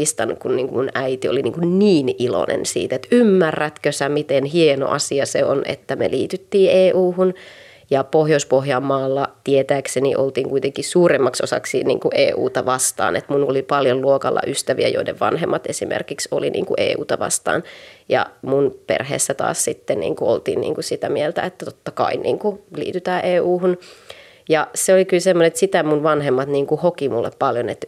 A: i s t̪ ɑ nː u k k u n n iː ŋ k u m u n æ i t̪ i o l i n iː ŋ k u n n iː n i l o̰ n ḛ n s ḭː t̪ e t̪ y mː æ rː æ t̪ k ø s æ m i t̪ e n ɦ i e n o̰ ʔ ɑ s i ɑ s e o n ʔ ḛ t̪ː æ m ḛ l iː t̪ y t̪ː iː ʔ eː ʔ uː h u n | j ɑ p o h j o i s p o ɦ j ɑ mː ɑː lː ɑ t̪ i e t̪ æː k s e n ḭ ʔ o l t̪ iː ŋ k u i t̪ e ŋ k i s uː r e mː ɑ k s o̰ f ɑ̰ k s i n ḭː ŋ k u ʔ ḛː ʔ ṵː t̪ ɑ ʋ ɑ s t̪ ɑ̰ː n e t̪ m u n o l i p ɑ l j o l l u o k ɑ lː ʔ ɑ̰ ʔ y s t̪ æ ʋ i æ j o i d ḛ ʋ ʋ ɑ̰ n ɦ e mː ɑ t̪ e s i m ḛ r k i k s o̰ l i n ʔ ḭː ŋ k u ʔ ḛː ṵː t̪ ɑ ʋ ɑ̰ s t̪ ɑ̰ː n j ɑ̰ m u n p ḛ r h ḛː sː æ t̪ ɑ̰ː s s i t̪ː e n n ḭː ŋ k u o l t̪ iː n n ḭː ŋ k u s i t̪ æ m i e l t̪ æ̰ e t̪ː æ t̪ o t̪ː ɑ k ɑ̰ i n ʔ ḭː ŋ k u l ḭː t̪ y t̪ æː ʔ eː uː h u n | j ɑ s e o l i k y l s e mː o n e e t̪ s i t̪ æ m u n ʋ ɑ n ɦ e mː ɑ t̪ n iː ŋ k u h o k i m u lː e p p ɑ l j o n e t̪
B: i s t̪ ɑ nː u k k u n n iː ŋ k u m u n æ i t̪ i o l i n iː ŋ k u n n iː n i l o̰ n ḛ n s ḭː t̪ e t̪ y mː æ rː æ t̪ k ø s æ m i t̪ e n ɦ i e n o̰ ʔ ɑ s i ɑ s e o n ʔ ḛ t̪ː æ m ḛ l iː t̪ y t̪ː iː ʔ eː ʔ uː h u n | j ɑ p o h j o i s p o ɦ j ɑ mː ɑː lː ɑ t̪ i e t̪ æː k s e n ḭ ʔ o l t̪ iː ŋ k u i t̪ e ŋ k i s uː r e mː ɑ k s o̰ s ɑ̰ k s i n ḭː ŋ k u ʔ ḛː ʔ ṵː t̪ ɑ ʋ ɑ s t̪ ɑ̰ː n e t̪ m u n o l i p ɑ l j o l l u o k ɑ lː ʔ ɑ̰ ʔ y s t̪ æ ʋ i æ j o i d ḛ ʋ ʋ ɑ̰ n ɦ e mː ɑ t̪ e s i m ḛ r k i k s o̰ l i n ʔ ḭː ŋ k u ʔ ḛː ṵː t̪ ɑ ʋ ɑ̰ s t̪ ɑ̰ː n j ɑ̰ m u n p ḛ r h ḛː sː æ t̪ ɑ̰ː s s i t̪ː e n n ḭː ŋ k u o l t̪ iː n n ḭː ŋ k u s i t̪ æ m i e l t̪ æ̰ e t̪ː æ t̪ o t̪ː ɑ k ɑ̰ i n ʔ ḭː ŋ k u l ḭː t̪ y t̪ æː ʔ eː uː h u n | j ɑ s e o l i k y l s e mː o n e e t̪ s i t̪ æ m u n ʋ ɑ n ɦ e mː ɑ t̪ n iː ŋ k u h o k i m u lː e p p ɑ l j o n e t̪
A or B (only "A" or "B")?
B